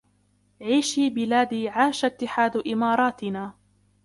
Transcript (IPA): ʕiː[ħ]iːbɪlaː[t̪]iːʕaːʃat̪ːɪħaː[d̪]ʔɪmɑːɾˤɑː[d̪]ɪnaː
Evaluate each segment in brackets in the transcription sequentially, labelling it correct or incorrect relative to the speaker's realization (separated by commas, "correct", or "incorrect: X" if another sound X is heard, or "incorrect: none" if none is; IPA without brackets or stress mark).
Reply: incorrect: ʃ, incorrect: d̪, correct, incorrect: t̪